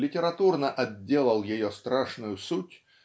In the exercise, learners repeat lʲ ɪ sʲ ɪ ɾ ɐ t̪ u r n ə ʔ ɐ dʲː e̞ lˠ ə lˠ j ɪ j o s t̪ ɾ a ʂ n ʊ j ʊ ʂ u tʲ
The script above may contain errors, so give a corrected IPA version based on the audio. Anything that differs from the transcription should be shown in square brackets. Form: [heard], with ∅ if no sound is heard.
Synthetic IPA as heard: lʲ ɪ [tʲ] ɪ ɾ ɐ t̪ u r n ə ʔ ɐ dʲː e̞ lˠ ə lˠ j ɪ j o s t̪ ɾ a ʂ n ʊ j ʊ [s] u tʲ